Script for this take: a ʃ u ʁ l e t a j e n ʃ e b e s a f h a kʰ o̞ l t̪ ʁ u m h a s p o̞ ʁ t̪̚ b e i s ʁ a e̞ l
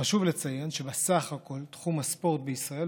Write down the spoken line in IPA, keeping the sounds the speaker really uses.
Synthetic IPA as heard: a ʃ u v l e t͡s a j e n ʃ e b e s a χ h a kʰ o̞ l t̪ χ u m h a s p o̞ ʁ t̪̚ b e i s ʁ a e̞ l